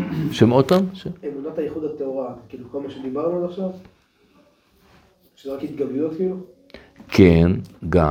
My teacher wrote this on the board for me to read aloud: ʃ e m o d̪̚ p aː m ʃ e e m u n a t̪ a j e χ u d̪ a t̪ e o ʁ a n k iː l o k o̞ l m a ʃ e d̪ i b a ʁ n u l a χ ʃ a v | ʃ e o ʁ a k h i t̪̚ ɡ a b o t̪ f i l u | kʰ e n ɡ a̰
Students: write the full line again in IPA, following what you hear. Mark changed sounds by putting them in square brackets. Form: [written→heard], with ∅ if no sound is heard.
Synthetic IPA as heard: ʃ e m o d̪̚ p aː m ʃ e e m u n a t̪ a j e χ u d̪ a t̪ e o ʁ a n k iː l [o→u] k o̞ l m a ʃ e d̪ i b a ʁ n u l a χ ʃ a v | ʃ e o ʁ a k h i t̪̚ ɡ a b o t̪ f i l u | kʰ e n ɡ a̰